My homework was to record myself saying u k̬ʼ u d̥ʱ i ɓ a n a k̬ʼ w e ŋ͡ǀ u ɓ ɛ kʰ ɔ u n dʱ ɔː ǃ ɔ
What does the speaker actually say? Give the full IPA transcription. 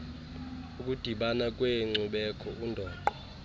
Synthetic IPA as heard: u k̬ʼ u d̥ʱ i ɓ a n a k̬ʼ w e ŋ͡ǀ u ɓ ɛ kʰ ɔ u n dʱ ɔː ǃ ɔ